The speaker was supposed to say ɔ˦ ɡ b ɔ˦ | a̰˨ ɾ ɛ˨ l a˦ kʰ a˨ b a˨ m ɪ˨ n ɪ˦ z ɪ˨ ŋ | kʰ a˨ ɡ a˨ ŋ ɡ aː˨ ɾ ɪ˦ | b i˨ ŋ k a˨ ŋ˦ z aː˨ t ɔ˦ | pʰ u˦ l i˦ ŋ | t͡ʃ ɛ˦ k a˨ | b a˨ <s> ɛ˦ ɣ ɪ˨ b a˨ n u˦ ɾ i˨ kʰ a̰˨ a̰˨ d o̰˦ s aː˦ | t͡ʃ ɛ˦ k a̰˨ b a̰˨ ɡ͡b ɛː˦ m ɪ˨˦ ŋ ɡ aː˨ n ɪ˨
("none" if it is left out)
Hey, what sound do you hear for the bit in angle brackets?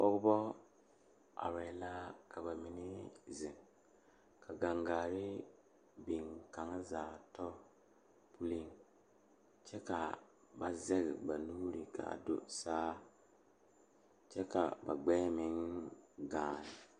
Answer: z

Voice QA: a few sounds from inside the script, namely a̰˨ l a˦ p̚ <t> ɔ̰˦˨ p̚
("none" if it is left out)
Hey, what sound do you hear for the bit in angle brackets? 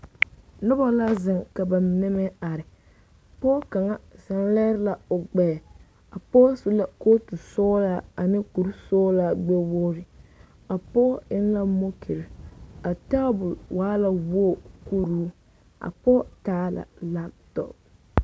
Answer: t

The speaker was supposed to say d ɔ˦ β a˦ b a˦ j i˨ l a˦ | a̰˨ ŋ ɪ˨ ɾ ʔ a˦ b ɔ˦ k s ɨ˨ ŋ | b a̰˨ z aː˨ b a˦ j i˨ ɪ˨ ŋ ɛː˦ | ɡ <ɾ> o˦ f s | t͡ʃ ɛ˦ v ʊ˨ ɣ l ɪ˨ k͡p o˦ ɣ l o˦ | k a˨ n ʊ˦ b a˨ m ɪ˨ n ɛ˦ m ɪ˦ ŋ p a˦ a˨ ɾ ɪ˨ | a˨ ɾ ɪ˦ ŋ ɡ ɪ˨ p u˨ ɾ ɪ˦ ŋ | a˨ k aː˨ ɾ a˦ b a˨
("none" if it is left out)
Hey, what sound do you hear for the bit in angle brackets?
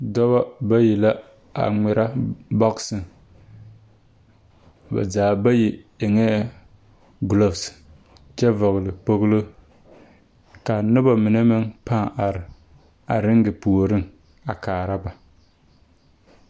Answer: l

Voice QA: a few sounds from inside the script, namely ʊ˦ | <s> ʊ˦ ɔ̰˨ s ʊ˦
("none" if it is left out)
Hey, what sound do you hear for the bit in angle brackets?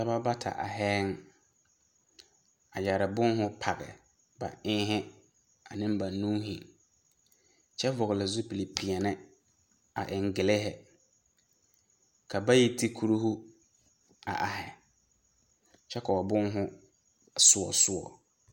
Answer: s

